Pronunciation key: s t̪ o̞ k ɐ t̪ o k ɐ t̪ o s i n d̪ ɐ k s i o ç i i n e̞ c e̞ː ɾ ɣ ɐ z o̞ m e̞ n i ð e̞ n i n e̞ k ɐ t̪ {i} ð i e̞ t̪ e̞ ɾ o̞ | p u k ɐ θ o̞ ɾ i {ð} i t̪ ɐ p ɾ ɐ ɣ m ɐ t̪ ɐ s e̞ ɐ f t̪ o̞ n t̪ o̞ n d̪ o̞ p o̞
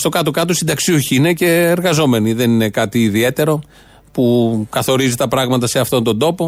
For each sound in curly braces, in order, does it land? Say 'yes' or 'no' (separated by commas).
no, no